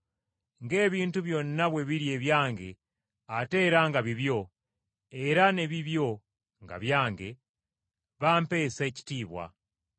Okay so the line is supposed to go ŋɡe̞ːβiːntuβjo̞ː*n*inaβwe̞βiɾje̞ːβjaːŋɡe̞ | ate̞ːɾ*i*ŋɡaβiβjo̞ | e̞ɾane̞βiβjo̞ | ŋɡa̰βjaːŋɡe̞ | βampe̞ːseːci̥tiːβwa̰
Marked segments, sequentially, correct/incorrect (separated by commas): correct, incorrect